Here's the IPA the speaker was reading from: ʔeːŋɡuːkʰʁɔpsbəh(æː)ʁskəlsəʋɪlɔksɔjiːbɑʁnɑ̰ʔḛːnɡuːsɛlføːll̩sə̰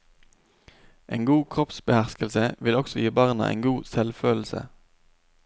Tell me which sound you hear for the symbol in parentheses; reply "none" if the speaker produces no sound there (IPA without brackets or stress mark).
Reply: æ